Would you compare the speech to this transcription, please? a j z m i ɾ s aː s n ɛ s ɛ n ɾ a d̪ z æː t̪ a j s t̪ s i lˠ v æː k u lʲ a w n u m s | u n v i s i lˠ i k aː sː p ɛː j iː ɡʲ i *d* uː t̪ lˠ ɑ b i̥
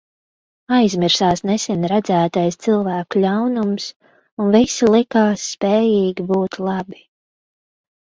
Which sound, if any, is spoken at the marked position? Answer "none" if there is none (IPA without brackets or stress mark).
b